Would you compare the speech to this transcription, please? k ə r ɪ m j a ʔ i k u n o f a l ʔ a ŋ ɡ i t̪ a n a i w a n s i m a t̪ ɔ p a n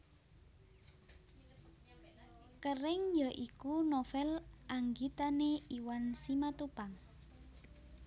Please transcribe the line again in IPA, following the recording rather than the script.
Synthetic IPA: k ə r ɪ ŋ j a ʔ i k u n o f ɛ l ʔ a ŋ ɡ i t̪ a n e i w a n s i m a t̪ u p a ŋ